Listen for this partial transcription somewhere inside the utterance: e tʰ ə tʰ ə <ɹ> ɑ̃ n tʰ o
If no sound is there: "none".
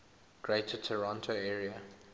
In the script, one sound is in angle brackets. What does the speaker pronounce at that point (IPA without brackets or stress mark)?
ɹ